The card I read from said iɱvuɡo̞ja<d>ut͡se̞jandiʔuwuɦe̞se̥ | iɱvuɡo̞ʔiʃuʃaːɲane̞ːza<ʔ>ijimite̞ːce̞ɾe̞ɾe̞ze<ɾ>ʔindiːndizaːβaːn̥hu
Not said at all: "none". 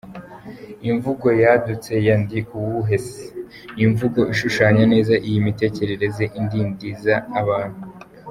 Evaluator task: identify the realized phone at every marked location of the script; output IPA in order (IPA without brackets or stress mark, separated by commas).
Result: d, ʔ, none